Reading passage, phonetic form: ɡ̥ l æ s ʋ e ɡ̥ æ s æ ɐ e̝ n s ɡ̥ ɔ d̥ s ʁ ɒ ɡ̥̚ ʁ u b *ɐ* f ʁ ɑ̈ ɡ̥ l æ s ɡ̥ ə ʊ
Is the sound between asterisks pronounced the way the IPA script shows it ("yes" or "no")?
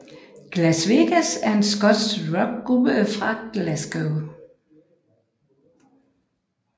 no